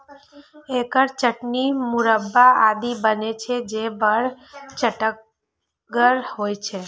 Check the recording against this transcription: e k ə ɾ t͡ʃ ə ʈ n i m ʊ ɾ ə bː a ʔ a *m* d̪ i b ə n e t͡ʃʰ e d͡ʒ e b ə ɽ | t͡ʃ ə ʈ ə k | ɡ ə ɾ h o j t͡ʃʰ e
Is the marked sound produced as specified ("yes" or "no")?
no